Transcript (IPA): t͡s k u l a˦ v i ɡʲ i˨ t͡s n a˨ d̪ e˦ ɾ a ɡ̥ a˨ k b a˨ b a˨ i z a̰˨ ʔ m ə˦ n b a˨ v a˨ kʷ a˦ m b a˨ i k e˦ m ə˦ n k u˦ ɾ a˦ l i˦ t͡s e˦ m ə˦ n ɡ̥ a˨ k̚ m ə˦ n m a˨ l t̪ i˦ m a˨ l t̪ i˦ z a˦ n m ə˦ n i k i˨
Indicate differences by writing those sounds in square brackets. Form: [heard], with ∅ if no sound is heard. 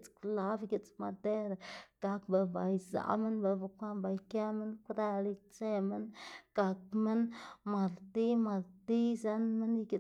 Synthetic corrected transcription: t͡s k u l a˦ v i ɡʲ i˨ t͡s [m] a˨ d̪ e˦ ɾ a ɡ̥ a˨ k b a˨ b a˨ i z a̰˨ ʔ m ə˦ n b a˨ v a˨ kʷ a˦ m b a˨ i k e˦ m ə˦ n k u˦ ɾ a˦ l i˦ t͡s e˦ m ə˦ n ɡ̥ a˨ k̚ m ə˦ n m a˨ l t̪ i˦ m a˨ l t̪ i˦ z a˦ n m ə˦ n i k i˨

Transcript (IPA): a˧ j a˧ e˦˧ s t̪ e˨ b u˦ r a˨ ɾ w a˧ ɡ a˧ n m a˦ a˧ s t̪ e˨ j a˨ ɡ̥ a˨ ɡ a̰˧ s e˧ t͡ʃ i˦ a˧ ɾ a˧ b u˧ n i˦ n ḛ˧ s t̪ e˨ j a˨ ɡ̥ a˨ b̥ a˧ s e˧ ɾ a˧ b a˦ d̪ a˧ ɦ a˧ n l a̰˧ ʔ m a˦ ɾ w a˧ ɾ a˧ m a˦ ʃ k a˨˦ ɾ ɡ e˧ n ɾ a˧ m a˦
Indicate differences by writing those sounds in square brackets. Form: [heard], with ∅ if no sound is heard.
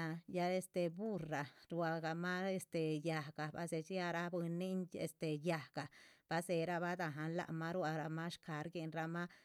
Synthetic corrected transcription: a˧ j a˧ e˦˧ s t̪ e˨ b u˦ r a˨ ɾ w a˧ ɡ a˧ [∅] m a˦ [e˧] s t̪ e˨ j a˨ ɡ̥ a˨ [b] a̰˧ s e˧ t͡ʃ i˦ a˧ ɾ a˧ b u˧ n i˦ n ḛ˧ s t̪ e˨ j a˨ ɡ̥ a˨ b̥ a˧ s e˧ ɾ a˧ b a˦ d̪ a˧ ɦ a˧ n l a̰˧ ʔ m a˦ ɾ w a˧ ɾ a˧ m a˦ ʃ k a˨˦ ɾ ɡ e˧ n ɾ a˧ m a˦

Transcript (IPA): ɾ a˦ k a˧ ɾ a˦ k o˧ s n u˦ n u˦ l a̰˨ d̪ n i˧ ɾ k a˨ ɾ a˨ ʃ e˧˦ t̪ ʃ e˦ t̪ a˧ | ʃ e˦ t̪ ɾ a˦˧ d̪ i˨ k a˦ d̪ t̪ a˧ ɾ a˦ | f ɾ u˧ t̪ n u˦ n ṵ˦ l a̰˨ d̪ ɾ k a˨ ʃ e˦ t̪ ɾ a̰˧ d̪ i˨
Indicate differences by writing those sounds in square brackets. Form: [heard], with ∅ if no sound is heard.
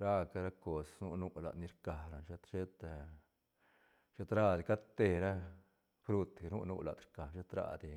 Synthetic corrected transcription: ɾ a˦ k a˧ ɾ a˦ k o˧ s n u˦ n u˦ l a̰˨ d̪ n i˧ ɾ k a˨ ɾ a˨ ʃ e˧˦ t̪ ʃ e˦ t̪ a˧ | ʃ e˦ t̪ ɾ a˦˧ d̪ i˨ k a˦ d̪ t̪ [e˧] ɾ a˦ | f ɾ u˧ t̪ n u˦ n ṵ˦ l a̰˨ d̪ ɾ k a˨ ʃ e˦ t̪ ɾ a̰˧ d̪ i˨

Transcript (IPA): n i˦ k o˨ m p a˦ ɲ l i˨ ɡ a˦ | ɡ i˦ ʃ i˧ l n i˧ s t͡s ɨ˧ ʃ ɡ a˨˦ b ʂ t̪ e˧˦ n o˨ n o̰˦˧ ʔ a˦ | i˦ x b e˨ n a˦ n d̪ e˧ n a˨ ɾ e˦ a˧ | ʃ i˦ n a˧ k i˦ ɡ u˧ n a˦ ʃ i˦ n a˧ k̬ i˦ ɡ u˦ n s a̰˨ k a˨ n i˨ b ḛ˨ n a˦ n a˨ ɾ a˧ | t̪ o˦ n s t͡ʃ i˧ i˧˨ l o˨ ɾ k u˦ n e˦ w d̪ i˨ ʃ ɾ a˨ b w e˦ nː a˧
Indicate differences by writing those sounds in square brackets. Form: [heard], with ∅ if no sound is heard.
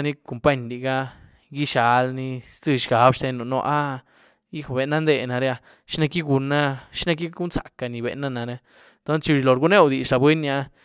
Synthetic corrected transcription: n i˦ k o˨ m p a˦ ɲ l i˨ ɡ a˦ | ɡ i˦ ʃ [a˧] l n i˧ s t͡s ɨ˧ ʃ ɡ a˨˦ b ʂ t̪ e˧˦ n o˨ n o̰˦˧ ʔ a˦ | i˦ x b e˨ n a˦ n d̪ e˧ n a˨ ɾ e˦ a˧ | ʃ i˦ n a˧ k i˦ ɡ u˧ n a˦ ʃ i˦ n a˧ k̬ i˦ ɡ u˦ n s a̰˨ k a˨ n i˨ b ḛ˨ n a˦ n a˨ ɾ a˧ | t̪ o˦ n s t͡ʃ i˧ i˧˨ l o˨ ɾ [ɡ] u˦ n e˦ w d̪ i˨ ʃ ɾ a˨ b w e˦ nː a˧

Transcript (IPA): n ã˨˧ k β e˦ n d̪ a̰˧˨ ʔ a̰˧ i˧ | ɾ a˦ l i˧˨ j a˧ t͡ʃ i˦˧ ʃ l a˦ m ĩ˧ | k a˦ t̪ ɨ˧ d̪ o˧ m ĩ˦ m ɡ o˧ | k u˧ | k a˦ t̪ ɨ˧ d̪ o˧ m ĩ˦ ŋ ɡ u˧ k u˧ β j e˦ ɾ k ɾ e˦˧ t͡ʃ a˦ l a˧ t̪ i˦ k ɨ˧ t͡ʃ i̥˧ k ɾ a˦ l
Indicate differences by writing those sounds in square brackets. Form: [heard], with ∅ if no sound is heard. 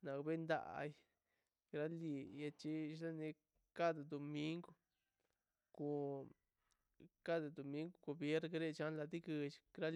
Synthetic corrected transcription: n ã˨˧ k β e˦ n d̪ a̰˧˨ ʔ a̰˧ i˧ | ɾ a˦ l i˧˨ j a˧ t͡ʃ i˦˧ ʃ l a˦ [n] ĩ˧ | k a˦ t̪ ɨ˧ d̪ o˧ m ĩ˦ [ŋ] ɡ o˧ | k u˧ | k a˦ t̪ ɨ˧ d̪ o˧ m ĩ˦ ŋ ɡ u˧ k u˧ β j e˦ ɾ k ɾ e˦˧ t͡ʃ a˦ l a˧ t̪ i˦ k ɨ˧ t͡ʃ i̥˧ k ɾ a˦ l

